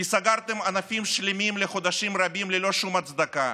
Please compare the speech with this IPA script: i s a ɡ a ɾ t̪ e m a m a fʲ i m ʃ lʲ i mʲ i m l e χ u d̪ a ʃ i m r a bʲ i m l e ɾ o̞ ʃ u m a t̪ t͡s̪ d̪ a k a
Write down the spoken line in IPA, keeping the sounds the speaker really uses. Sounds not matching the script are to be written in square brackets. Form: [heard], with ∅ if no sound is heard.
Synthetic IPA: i s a ɡ a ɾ t̪ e m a [n] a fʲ i m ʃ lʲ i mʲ i m l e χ [o] d̪ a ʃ i m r a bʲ i m l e [l] o̞ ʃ u m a t̪ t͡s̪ d̪ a k a